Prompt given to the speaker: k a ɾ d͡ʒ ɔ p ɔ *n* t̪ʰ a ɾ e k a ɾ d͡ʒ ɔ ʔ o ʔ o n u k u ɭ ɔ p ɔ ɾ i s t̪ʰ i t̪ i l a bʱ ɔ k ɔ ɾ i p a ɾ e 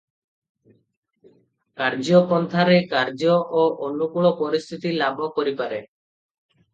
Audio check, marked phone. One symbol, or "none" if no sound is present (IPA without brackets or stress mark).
n